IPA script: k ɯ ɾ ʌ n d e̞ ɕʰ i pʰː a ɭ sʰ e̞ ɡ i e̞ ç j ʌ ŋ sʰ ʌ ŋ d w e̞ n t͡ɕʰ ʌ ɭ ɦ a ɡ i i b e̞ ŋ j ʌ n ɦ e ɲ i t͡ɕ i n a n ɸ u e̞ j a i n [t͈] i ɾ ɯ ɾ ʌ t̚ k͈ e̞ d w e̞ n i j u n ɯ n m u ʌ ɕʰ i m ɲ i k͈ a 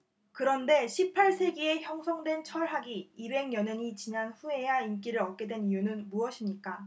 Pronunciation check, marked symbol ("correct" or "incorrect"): incorrect